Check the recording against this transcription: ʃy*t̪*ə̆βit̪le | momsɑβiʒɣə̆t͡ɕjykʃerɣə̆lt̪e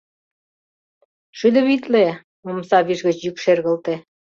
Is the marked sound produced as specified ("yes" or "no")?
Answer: no